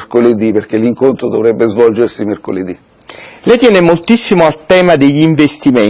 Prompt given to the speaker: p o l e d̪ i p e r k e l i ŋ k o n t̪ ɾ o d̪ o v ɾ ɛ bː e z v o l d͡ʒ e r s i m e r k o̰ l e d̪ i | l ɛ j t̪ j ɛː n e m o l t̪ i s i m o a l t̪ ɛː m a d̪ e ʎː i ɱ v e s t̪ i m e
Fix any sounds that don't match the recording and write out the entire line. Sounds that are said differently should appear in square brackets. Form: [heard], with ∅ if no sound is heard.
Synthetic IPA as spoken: [k] o l e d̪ i p e r k e l i ŋ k o n t̪ ɾ o d̪ o v ɾ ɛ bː e z v [ɔ] l d͡ʒ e r s i m e r k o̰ l e d̪ i | l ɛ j t̪ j ɛː n e m o l t̪ i [sː] i m o a l t̪ ɛː m a d̪ e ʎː i ɱ v e s t̪ i m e